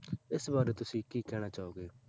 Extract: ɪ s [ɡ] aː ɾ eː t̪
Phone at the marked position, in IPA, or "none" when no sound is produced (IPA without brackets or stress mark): b